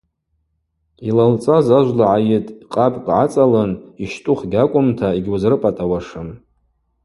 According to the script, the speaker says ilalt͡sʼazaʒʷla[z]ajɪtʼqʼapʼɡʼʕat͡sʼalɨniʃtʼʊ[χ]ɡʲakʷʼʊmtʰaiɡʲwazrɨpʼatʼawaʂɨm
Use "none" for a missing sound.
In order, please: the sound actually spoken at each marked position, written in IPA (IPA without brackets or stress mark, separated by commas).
ʕ, χ